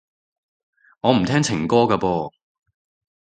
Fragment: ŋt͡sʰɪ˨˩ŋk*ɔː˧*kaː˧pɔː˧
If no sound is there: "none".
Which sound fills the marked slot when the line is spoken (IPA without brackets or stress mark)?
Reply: ɔː˥